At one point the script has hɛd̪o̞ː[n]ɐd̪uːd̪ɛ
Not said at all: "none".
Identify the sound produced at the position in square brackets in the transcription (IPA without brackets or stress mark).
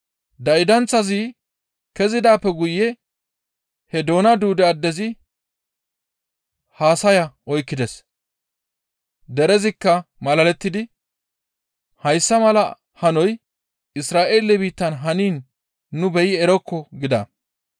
n